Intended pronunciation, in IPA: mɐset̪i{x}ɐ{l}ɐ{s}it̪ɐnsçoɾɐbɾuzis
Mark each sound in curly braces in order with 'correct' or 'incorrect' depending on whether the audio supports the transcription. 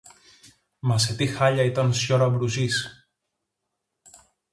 correct, incorrect: ʎ, incorrect: none

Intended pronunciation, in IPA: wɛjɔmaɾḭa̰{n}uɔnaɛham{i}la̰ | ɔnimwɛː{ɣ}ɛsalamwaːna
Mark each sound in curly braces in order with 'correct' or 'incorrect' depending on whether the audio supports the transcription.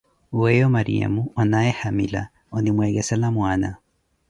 incorrect: m, correct, correct

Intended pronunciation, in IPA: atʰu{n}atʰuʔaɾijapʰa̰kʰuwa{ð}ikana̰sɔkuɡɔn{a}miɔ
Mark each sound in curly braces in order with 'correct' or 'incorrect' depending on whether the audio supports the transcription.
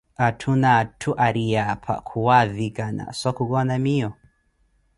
correct, correct, correct

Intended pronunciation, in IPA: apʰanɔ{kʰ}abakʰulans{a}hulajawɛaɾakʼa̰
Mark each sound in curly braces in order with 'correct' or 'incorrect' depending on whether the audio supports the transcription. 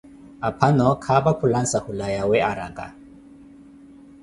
correct, correct

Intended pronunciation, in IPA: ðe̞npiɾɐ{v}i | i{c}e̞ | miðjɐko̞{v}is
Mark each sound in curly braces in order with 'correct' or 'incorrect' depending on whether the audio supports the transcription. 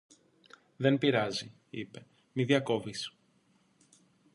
incorrect: z, incorrect: p, correct

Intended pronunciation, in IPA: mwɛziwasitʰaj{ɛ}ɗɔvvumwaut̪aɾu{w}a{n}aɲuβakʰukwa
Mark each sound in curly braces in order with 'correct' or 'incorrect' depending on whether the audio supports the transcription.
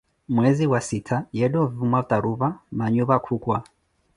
correct, incorrect: β, incorrect: m

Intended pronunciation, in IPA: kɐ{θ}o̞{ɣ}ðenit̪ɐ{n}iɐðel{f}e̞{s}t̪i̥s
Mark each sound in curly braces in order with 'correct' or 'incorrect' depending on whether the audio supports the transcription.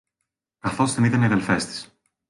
correct, incorrect: z, correct, correct, correct

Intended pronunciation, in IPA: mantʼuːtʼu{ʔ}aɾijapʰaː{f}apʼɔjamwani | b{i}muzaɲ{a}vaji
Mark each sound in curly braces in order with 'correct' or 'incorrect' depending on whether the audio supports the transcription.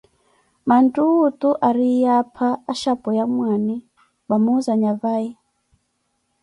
correct, incorrect: ʃ, incorrect: a, correct

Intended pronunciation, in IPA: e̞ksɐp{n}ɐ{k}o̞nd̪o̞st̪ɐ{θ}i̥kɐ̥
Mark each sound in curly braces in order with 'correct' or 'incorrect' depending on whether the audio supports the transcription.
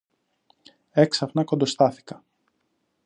correct, correct, correct

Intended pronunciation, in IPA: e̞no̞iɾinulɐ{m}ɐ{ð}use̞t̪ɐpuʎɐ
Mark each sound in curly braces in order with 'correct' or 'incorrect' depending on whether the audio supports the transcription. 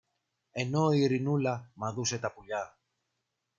correct, correct

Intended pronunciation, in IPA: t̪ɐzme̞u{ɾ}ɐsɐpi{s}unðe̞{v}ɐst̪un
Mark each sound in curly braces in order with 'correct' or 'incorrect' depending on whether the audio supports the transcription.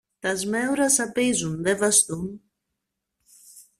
correct, incorrect: z, correct

